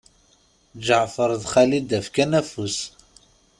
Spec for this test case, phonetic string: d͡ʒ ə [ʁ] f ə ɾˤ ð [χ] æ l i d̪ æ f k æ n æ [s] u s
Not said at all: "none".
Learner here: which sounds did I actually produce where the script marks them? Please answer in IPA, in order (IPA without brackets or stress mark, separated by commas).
ʕ, χ, f